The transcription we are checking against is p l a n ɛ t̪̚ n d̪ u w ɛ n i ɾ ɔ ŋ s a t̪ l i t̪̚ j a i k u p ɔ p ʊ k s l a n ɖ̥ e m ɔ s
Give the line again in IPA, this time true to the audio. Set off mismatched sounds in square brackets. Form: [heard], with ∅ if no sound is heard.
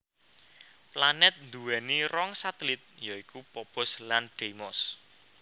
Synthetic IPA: p l a n ɛ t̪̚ n d̪ u w ɛ n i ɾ ɔ ŋ s a t̪ l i t̪̚ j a i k u p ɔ p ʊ [∅] s l a n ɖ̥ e m ɔ s

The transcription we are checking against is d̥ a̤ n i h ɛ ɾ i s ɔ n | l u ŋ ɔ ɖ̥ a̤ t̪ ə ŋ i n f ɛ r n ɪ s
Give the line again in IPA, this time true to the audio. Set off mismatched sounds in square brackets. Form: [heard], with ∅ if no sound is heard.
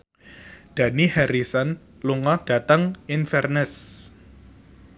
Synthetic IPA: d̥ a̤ n i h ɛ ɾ i s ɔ n | l u ŋ ɔ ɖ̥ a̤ t̪ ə ŋ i n f ɛ r n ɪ s

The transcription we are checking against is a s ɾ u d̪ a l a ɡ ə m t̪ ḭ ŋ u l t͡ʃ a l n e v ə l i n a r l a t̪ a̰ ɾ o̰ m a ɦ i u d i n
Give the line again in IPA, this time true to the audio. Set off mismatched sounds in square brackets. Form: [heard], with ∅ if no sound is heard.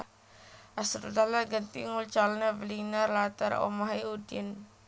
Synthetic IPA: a s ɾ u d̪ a l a ɡ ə [n] t̪ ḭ ŋ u l t͡ʃ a l n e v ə l i n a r l a t̪ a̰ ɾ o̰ m a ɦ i u d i n

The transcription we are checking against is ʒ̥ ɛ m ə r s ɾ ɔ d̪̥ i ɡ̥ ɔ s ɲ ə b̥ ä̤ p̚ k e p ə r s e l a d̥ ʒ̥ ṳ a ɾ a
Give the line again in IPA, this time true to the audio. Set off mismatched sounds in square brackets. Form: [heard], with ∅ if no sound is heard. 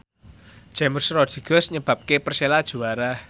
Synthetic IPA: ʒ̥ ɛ m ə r s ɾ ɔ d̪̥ i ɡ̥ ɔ s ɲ ə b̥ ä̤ p̚ k e p ə r s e l a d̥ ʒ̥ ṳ a ɾ a

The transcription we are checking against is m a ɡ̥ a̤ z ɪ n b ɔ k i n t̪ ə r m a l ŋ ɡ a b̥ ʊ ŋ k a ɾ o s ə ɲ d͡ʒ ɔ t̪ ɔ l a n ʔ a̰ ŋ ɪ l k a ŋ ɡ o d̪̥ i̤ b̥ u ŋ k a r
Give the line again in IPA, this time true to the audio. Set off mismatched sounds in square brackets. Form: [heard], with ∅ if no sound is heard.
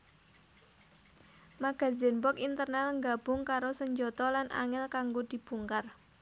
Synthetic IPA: m a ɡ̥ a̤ z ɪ n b ɔ k i n t̪ ə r [n] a l ŋ ɡ a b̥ ʊ ŋ k a ɾ o s ə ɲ d͡ʒ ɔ t̪ ɔ l a n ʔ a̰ ŋ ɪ l k a ŋ ɡ o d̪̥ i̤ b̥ u ŋ k a r

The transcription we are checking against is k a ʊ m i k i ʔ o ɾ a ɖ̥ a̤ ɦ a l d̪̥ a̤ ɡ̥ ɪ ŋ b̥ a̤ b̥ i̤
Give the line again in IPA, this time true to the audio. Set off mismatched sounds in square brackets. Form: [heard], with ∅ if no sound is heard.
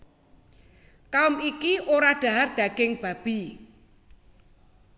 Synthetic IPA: k a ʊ m i k i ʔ o ɾ a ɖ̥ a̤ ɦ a [r] d̪̥ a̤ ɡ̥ ɪ ŋ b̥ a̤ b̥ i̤

